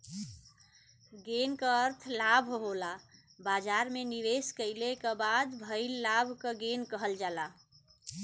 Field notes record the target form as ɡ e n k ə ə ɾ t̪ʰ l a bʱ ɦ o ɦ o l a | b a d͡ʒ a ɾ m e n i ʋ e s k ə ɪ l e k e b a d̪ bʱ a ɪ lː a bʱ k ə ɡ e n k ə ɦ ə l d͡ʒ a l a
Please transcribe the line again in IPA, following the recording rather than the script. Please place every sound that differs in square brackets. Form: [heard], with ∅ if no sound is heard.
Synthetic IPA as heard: ɡ e n k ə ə ɾ t̪ʰ l a bʱ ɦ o ɦ o l a | b a d͡ʒ a ɾ m e n i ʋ e s k ə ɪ l e k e b a d̪ bʱ [ə] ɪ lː a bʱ k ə ɡ e n k ə ɦ ə l d͡ʒ a l a

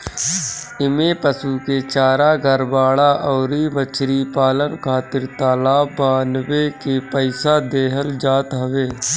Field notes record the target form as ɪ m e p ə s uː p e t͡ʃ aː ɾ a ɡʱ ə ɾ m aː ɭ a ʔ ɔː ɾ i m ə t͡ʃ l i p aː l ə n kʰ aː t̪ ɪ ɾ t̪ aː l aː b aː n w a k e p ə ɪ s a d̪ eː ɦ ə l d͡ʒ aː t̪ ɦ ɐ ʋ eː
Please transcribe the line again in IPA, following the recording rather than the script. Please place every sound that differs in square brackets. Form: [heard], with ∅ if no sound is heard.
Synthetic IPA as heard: ɪ m e p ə s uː [k] e t͡ʃ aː ɾ a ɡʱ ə ɾ [b] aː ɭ a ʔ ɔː ɾ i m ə t͡ʃ [ɾ] i p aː l ə n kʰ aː t̪ ɪ ɾ t̪ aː l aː b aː n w [e] k e p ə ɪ s a d̪ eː ɦ ə l d͡ʒ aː t̪ ɦ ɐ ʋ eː

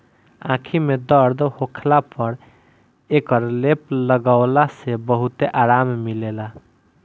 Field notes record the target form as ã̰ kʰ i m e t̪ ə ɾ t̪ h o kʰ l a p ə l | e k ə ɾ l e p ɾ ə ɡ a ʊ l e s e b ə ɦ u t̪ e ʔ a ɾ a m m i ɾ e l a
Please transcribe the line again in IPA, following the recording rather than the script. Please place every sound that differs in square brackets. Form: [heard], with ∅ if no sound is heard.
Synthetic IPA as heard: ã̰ kʰ i m e [d̪] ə ɾ [d̪] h o kʰ l a p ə [ɾ] | e k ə ɾ l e p [l] ə ɡ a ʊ l [a] s e b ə ɦ u t̪ e ʔ a ɾ a m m i [l] e l a

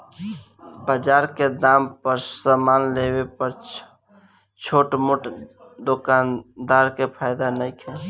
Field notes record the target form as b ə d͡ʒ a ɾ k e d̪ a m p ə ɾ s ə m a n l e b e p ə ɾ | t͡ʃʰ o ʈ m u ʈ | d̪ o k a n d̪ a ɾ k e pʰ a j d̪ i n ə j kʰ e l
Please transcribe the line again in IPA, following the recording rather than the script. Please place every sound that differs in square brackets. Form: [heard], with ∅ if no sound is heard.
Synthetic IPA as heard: b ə d͡ʒ a ɾ k e d̪ a m p ə ɾ s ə m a n l e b e p ə ɾ | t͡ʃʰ o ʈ m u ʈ | d̪ o k a n d̪ a ɾ k e pʰ a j d̪ [a] n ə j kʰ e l

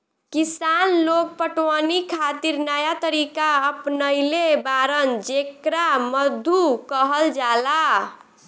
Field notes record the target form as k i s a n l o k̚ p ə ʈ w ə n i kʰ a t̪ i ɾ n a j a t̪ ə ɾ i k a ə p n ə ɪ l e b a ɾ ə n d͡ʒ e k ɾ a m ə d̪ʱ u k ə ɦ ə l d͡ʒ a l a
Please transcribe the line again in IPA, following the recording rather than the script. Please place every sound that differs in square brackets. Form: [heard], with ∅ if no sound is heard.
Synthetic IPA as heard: k i s a n l o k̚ p ə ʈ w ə n i kʰ a t̪ i ɾ n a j a t̪ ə ɾ i k a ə p n ə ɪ l e b a ɾ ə n d͡ʒ e k ɾ a m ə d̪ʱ u k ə ɦ ə l d͡ʒ a l a

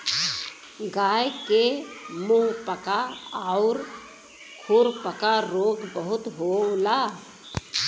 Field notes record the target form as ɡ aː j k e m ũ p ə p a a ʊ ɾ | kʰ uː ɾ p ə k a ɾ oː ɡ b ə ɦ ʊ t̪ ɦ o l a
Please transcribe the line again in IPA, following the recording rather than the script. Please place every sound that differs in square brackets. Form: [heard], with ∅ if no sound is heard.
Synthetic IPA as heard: ɡ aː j k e m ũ p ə [k] a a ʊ ɾ | kʰ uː ɾ p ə k a ɾ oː ɡ b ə ɦ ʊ t̪ ɦ o l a

